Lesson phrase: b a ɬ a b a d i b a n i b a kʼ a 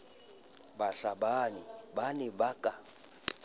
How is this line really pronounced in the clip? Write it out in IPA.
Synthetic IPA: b a ɬ a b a n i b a n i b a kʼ a